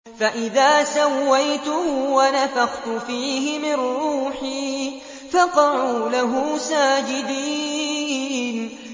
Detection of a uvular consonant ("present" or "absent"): present